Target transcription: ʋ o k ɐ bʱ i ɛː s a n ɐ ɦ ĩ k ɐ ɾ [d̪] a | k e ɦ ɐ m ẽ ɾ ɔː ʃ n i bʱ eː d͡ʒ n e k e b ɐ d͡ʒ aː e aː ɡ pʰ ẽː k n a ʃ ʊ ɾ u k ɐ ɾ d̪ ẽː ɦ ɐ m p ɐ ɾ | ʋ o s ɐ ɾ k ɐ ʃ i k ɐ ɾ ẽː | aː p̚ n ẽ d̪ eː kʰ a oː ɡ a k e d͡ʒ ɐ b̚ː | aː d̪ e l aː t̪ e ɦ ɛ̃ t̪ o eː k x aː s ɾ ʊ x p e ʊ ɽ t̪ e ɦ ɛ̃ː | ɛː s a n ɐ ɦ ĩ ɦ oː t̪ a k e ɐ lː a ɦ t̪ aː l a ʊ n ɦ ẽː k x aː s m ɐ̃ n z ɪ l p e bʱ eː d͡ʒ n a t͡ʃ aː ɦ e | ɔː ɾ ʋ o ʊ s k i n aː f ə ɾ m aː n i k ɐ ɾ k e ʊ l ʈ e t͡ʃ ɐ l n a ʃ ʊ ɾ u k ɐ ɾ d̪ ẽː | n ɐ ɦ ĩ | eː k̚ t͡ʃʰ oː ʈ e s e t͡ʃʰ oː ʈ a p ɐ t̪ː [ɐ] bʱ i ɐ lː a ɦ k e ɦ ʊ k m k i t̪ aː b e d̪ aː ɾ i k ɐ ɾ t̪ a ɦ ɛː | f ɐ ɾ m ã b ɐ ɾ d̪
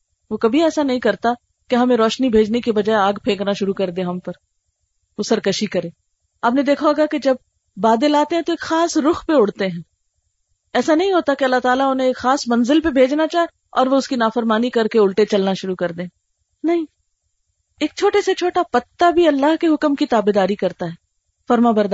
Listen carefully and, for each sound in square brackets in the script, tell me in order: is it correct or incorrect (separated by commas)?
incorrect, incorrect